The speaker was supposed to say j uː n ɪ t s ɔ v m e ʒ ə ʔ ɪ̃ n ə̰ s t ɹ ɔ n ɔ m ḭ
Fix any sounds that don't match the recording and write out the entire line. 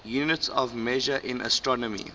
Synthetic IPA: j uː n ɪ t s ɔ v m e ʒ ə ʔ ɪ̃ n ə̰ s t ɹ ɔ n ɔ m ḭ